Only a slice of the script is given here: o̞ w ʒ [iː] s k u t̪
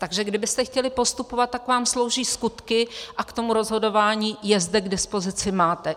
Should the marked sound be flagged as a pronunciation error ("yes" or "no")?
no